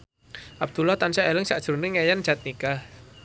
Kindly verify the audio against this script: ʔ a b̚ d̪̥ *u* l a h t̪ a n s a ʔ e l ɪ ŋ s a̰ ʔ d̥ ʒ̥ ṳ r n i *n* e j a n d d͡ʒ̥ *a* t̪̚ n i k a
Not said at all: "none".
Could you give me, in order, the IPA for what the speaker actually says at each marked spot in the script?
u, ŋ, a

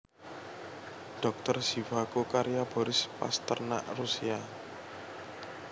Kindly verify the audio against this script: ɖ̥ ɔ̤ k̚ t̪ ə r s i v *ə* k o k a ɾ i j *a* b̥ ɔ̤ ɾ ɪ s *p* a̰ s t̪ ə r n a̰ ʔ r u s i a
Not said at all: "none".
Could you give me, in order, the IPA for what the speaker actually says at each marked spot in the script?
a, a, p

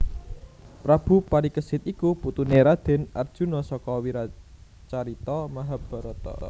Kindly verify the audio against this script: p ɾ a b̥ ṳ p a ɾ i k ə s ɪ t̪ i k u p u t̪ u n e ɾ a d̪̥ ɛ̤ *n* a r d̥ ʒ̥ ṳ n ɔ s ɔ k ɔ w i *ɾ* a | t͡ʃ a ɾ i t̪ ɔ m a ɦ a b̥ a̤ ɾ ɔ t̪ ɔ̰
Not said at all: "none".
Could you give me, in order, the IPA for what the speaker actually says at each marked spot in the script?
n, ɾ

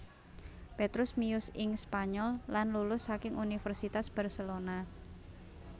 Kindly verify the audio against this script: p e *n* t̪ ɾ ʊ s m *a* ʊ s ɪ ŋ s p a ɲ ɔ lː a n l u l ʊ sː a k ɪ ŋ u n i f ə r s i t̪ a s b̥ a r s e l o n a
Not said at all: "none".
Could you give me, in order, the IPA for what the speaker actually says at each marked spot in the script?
none, i

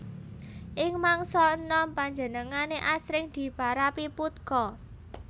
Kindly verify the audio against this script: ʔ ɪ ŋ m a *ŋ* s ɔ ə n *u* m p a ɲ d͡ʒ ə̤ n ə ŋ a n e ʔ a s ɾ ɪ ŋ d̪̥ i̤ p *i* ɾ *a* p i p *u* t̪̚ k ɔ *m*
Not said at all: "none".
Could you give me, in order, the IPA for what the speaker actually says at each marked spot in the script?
ŋ, ɔ, a, a, u, none

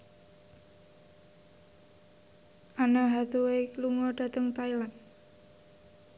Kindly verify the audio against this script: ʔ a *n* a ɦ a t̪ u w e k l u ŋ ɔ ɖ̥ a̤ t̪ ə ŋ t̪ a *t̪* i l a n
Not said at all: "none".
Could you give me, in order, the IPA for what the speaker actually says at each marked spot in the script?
n, none

